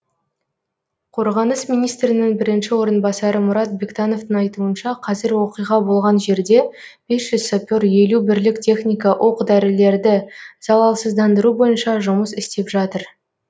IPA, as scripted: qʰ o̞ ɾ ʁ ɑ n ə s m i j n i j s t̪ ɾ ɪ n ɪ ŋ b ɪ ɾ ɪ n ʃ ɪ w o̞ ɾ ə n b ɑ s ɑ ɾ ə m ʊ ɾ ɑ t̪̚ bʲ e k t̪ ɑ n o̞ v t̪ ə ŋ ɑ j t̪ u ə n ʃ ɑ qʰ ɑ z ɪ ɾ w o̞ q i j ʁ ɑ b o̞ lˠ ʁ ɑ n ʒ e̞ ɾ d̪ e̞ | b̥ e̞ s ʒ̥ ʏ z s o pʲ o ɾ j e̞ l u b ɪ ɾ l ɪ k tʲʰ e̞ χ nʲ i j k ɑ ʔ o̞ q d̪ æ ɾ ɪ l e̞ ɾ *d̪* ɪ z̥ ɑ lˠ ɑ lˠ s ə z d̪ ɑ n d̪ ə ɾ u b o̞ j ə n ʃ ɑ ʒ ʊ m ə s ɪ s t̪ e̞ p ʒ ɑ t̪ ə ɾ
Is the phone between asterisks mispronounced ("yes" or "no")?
no